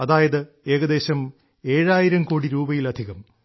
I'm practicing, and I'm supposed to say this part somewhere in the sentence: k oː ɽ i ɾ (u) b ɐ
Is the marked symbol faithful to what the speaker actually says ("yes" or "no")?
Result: no